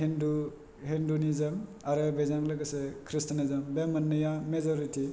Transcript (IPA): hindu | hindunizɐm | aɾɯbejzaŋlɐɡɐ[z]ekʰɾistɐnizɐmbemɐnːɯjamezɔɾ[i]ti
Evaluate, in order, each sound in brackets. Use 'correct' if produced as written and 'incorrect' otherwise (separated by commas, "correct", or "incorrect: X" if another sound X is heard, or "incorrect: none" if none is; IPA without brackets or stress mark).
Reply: incorrect: s, correct